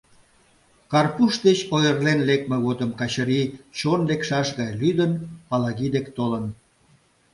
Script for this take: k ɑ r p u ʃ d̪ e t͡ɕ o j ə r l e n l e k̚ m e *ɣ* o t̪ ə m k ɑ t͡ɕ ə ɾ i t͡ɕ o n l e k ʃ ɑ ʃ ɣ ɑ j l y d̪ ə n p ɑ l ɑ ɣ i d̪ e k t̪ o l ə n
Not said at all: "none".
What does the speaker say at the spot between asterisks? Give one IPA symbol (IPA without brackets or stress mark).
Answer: ɣ